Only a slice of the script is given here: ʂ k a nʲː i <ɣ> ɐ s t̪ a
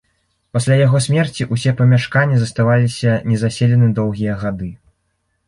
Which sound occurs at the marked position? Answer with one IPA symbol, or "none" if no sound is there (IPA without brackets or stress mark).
z